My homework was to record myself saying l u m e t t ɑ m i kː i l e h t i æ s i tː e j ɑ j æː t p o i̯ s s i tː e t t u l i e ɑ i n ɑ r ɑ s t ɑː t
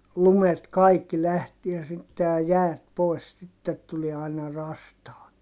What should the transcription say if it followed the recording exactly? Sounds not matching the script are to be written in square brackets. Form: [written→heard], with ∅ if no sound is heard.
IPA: l u m e t [t→k] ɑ [m→∅] i kː i l [e→æ] h t i æ s i tː e j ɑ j æː t p o i̯ s s i tː e t t u l i e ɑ i n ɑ r ɑ s t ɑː t